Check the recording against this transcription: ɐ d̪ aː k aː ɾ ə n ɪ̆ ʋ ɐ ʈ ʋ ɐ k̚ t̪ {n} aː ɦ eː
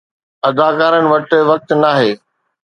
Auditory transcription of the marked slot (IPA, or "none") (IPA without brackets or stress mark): n